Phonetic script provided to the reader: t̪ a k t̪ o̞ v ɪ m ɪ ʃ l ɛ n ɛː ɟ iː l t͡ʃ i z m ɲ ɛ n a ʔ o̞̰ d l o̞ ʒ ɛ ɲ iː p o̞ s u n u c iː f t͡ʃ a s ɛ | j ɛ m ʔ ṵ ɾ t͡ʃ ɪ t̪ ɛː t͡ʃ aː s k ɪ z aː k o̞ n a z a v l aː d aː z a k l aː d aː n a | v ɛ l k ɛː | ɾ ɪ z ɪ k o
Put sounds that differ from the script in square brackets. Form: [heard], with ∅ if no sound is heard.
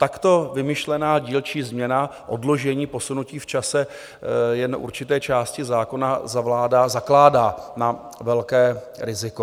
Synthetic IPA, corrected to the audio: t̪ a k t̪ o̞ v ɪ m ɪ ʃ l ɛ n [aː] ɟ iː l t͡ʃ [iː] z m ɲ ɛ n a ʔ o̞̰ d l o̞ ʒ ɛ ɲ iː p o̞ s u n u c iː f t͡ʃ a s ɛ | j ɛ [n] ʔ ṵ ɾ t͡ʃ ɪ t̪ ɛː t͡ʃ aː s [c] ɪ z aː k o̞ n a z a v l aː d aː z a k l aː d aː n a | v ɛ l k ɛː | ɾ ɪ z ɪ k o